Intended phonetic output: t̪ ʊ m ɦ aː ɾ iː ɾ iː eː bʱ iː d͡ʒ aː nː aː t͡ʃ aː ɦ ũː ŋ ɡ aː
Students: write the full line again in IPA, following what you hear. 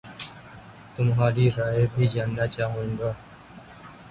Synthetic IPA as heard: t̪ ʊ m ɦ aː ɾ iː ɾ aː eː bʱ iː d͡ʒ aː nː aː t͡ʃ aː ɦ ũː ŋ ɡ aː

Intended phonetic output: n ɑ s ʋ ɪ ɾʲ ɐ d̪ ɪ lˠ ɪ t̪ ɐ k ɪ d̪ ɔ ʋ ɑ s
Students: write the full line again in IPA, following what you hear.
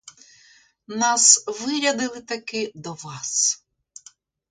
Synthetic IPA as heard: n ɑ s ʋ ɪ ɾʲ ɐ d̪ ɪ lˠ ɪ t̪ ɐ k ɪ d̪ ɔ ʋ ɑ s

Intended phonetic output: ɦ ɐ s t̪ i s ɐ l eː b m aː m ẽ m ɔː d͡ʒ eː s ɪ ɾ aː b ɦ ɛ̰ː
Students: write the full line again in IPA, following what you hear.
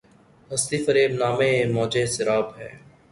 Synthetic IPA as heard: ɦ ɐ s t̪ i f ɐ ɾ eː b n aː m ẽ m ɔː d͡ʒ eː s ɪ ɾ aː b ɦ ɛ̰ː

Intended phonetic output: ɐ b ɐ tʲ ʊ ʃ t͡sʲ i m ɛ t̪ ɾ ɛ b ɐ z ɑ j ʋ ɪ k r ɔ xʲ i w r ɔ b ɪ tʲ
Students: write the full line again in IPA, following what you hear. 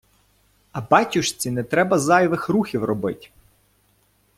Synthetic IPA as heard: ɐ b ɑ tʲ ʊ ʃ t͡sʲ i n ɛ t̪ ɾ ɛ b ɐ z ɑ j ʋ ɪ x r u xʲ i w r ɔ b ɪ tʲ

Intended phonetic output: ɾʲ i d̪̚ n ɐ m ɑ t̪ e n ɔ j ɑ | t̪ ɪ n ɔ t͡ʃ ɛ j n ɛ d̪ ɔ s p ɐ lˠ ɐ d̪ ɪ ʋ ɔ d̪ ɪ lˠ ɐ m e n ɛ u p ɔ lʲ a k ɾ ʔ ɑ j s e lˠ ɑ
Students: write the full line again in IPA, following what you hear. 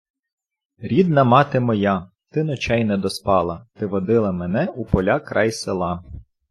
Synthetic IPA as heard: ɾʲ i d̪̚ n ɐ m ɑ t̪ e m ɔ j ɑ | t̪ ɪ n ɔ t͡ʃ ɛ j n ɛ d̪ ɔ s p ɑ lˠ ɐ t̪ ɪ ʋ ɔ d̪ ɪ lˠ ɐ m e n ɛ u p ɔ lʲ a k ɾ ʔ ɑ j s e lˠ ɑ

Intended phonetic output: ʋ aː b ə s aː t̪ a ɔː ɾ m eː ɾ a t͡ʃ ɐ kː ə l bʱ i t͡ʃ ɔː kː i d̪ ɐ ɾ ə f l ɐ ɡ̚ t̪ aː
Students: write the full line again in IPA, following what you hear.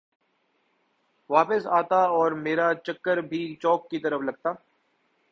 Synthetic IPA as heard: ʋ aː p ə s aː t̪ a ɔː ɾ m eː ɾ a t͡ʃ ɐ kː ə ɾ bʱ i t͡ʃ ɔː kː i t̪ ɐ ɾ ə f l ɐ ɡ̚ t̪ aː

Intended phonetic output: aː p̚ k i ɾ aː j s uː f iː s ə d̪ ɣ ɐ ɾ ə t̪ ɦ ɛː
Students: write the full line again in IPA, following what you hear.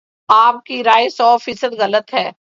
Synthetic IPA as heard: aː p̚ k i ɾ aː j s ɔː f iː s ə d̪ ɣ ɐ l ə t̪ ɦ ɛː

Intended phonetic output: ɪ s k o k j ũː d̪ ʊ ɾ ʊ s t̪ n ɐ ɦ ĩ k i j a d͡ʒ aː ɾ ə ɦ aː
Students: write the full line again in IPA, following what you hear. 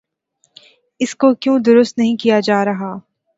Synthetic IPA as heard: ɪ s k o k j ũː d̪ ʊ ɾ ʊ s t̪ n ɐ ɦ ĩ k i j a d͡ʒ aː ɾ ɐ ɦ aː

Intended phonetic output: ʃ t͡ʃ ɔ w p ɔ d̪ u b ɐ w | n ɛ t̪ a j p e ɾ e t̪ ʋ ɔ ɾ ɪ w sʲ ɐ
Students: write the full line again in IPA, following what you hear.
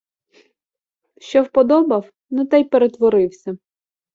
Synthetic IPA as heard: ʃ t͡ʃ ɔ w p ɔ d̪ ɔ b ɐ w | n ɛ t̪ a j p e ɾ e t̪ ʋ ɔ ɾ ɪ w sʲ ɐ

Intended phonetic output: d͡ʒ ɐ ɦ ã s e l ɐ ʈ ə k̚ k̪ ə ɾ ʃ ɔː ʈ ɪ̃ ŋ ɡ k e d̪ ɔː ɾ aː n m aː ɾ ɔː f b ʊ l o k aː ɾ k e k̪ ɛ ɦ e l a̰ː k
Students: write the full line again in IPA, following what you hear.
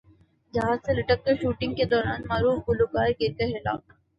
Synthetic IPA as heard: d͡ʒ ɐ ɦ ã s e l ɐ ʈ ə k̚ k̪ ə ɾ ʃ uː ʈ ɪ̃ ŋ ɡ k e d̪ ɔː ɾ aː n m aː ɾ uː f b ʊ l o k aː ɾ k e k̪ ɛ ɦ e l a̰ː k

